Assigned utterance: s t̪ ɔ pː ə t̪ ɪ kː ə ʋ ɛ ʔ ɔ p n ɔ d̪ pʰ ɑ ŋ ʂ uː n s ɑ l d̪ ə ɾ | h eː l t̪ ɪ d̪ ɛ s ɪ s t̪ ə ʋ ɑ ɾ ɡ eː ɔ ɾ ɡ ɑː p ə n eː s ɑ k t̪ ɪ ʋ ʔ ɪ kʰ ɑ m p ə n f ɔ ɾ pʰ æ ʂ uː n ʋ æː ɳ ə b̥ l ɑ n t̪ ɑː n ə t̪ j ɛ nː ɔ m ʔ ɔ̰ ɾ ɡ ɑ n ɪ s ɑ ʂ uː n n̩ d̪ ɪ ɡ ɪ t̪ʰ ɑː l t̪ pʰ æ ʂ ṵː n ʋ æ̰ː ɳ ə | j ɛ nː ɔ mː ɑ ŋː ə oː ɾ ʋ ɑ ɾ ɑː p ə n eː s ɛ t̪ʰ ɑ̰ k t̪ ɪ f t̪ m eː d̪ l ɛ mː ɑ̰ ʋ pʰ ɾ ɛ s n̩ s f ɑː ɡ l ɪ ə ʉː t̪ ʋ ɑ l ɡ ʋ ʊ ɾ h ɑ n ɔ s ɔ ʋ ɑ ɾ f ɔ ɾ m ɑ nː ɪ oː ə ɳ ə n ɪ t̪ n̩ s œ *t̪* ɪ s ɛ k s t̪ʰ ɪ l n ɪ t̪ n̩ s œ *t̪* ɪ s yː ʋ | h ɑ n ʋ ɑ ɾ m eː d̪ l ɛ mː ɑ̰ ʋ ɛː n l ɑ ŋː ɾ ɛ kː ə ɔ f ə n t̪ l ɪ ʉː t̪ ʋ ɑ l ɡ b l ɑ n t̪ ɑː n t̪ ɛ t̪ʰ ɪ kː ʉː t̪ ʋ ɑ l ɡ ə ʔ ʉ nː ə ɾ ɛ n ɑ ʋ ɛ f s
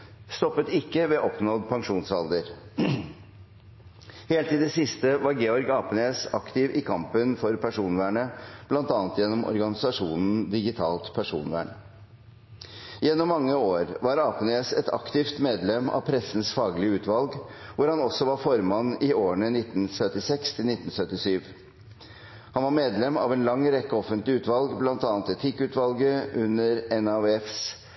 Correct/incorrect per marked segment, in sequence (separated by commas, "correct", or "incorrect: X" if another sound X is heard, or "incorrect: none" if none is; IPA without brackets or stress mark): correct, correct